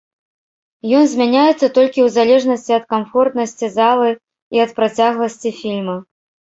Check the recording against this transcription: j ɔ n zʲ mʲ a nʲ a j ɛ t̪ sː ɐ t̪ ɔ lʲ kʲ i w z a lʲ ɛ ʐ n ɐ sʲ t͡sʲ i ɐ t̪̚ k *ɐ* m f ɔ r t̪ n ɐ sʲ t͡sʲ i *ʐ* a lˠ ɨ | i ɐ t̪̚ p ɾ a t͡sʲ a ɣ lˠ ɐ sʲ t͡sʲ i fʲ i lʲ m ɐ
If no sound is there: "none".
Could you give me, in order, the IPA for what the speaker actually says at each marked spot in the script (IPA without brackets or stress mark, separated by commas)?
a, z